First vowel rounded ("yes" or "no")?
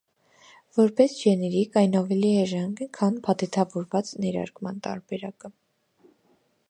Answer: yes